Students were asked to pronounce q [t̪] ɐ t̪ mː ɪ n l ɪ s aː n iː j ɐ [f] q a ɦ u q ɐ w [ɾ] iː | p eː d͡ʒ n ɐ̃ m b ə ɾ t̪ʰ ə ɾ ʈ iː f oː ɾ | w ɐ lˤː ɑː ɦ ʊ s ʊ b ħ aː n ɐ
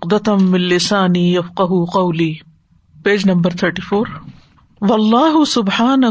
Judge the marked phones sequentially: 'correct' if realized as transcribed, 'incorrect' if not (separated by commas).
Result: incorrect, correct, incorrect